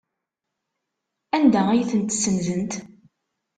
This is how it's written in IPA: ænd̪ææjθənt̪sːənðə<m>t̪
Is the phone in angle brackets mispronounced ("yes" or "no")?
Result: yes